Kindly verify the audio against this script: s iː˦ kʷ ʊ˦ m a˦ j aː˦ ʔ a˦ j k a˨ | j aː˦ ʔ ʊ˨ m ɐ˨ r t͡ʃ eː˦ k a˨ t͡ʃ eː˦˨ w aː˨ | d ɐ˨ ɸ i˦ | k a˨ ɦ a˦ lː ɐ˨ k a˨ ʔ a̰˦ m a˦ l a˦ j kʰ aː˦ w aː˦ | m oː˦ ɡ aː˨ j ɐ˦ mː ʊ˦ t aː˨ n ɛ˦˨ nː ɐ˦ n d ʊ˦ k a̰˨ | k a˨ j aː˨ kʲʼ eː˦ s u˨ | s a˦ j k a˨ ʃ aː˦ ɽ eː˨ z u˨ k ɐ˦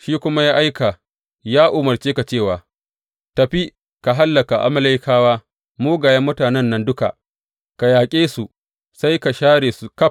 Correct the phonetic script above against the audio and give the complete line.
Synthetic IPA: ʃ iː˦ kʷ ʊ˦ m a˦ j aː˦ ʔ a˦ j k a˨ | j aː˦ ʔ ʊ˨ m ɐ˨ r t͡ʃ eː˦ k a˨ t͡ʃ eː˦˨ w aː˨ | t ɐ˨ ɸ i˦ | k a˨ ɦ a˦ lː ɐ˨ k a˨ ʔ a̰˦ m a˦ l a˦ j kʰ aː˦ w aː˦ | m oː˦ ɡ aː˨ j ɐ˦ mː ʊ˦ t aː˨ n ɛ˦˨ nː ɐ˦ n d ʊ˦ k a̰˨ | k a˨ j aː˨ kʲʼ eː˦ s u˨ | s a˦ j k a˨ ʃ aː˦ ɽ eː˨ s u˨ k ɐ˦